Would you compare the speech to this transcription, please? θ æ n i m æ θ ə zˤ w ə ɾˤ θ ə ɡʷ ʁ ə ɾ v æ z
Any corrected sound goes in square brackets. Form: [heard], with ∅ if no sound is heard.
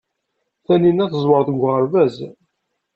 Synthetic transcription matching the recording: θ æ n i [n] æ θ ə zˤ w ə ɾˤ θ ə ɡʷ ʁ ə ɾ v æ z